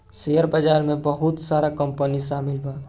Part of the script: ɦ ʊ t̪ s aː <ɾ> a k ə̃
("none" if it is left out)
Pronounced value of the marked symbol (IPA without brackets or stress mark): ɾ